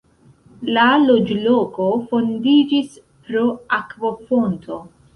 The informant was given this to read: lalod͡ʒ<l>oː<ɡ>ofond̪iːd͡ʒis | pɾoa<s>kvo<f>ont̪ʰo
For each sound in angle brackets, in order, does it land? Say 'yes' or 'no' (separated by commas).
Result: yes, no, no, yes